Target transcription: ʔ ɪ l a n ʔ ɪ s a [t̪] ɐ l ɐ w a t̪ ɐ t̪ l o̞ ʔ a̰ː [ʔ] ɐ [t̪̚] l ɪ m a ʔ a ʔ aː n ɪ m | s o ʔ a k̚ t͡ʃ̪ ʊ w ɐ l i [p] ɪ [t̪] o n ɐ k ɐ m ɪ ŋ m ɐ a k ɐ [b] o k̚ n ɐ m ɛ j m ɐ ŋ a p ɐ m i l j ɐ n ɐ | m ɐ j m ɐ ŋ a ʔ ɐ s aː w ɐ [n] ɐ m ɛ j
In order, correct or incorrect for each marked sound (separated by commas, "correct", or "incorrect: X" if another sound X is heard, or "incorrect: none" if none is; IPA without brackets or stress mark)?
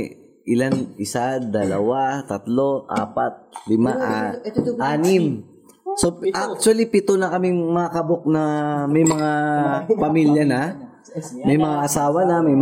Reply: incorrect: d̪, incorrect: p, correct, correct, correct, correct, correct